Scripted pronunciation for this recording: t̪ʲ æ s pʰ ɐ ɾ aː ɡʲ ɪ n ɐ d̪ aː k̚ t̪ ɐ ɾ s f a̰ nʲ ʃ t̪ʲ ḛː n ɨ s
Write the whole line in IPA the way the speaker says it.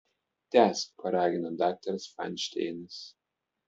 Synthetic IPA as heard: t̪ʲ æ s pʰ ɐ ɾ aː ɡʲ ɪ n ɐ d̪ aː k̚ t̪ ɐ ɾ s f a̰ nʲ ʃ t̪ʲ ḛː n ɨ s

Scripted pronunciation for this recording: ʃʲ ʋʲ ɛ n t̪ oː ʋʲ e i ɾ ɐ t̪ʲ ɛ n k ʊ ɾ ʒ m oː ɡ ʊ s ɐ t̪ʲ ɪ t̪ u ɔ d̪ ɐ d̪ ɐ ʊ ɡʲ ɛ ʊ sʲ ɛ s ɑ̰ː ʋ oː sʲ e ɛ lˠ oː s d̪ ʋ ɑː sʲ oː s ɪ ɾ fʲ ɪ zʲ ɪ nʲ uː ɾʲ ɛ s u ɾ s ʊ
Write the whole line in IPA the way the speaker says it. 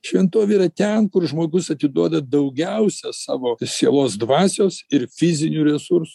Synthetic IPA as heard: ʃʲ ʋʲ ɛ n t̪ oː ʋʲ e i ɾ ɐ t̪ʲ ɛ n k ʊ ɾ ʒ m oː ɡ ʊ s ɐ t̪ʲ ɪ d̪ u ɔ d̪ ɐ d̪ ɐ ʊ ɡʲ ɛ ʊ sʲ ɛ s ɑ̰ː ʋ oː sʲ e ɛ lˠ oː s d̪ ʋ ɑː sʲ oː s ɪ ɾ fʲ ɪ zʲ ɪ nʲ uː ɾʲ ɛ s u ɾ s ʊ

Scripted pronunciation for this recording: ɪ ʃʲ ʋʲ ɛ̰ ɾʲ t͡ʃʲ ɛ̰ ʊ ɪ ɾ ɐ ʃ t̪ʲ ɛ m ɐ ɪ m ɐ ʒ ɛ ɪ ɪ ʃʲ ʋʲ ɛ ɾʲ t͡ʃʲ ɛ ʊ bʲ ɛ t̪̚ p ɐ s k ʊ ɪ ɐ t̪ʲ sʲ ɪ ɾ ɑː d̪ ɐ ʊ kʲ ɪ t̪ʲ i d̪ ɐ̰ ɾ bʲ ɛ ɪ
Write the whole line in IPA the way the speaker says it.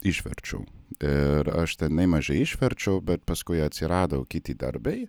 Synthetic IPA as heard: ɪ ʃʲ ʋʲ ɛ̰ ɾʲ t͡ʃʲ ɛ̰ ʊ ɪ ɾ ɐ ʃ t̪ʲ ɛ n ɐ ɪ m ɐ ʒ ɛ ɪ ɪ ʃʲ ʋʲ ɛ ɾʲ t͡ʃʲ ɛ ʊ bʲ ɛ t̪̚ p ɐ s k ʊ ɪ ɐ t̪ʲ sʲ ɪ ɾ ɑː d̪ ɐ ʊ kʲ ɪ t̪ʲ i d̪ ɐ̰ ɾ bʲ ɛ ɪ

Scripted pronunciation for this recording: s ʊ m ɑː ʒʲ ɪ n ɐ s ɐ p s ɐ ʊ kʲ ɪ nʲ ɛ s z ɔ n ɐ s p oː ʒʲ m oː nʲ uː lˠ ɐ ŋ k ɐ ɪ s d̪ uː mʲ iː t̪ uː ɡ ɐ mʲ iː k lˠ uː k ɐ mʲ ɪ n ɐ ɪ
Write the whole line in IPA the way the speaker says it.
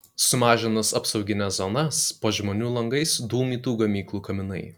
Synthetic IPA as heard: s ʊ m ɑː ʒʲ ɪ n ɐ s ɐ p s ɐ ʊ ɡʲ ɪ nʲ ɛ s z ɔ n ɐ s p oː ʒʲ m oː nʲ uː lˠ ɐ ŋ ɡ ɐ ɪ s d̪ uː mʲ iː t̪ uː ɡ ɐ mʲ iː k lˠ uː k ɐ mʲ ɪ n ɐ ɪ

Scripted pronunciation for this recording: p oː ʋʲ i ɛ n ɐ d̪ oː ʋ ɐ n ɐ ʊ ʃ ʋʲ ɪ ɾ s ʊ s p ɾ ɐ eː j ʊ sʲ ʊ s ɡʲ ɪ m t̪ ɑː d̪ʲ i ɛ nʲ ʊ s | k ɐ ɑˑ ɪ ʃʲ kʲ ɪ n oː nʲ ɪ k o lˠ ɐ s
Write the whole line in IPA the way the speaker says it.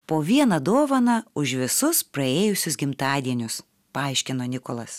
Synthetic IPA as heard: p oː ʋʲ i ɛ n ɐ d̪ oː ʋ ɐ n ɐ ʊ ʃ ʋʲ ɪ s ʊ s p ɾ ɐ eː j ʊ sʲ ʊ s ɡʲ ɪ m t̪ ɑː d̪ʲ i ɛ nʲ ʊ s | p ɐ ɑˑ ɪ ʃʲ kʲ ɪ n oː nʲ ɪ k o lˠ ɐ s

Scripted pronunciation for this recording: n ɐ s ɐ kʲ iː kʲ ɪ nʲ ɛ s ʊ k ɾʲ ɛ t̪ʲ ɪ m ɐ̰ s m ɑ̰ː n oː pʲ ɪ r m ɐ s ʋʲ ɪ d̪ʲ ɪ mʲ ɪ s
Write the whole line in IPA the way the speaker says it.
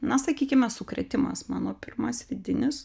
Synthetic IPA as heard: n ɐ s ɐ kʲ iː kʲ ɪ mʲ ɛ s ʊ k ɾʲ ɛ t̪ʲ ɪ m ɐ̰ s m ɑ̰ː n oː pʲ ɪ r m ɐ s ʋʲ ɪ d̪ʲ ɪ nʲ ɪ s

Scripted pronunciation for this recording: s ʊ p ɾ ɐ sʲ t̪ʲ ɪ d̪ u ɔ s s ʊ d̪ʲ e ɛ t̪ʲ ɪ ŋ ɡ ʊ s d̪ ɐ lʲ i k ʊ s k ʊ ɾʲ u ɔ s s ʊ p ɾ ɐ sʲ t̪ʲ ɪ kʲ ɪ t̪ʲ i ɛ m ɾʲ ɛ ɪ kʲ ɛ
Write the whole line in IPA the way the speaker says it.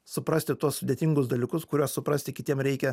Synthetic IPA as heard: s ʊ p ɾ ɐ sʲ t̪ʲ ɪ t̪ u ɔ s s ʊ d̪ʲ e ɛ t̪ʲ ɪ ŋ ɡ ʊ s d̪ ɐ lʲ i k ʊ s k ʊ ɾʲ u ɔ s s ʊ p ɾ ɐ sʲ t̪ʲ ɪ kʲ ɪ t̪ʲ i ɛ m ɾʲ ɛ ɪ kʲ ɛ

